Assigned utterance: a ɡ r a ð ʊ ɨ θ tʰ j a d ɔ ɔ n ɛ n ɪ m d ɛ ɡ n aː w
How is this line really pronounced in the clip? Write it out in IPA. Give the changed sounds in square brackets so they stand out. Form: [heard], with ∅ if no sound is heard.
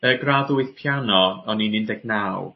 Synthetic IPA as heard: [ə] ɡ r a ð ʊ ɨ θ [pʰ] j a [n] ɔ ɔ n [i] n ɪ [n] d ɛ ɡ n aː w

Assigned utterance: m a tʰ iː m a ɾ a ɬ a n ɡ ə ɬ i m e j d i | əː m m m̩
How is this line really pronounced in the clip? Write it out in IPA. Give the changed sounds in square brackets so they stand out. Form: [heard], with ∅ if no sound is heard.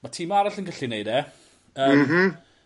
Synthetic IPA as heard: m a tʰ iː m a ɾ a ɬ [ə] n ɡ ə ɬ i [n] e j d [ɛ] | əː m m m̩

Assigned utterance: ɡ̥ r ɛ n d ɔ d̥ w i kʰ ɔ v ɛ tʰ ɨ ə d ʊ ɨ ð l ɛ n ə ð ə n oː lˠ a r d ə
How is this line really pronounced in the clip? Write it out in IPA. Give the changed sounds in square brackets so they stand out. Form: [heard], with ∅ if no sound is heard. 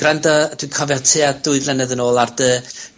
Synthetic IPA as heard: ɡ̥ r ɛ n d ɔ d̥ w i kʰ ɔ v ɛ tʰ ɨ [a] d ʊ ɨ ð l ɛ n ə ð ə n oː lˠ a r d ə

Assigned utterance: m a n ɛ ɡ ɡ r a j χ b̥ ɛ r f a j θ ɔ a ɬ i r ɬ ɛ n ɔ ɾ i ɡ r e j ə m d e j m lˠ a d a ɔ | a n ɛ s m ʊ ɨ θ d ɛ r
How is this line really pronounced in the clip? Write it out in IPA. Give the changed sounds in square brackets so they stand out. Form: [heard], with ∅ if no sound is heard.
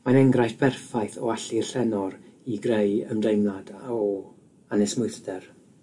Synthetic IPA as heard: m a n ɛ [ŋ] ɡ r a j [θ] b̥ ɛ r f a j θ ɔ a ɬ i r ɬ ɛ n ɔ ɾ i ɡ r e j ə m d e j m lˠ a d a ɔ | a n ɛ s m ʊ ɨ θ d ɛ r

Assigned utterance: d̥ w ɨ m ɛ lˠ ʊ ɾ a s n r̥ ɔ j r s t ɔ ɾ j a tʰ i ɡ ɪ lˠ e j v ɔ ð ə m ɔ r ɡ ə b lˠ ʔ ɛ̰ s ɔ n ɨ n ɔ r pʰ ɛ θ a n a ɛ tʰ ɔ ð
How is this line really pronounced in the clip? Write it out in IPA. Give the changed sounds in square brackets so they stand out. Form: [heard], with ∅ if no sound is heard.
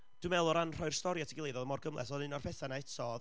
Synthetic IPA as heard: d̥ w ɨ m ɛ lˠ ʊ ɾ a [∅] n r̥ ɔ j r s t ɔ ɾ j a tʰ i ɡ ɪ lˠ e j [ð] ɔ ð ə m ɔ r ɡ ə [m] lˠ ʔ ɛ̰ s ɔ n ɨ n ɔ r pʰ ɛ θ a n a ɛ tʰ ɔ ð

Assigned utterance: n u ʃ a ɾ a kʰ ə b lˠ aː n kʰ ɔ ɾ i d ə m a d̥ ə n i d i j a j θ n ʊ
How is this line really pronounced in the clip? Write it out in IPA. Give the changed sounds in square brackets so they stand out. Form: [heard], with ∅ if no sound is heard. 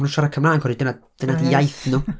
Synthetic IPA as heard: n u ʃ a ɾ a kʰ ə [m] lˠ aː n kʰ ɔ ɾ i d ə [n] a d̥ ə n [a] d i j a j θ n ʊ

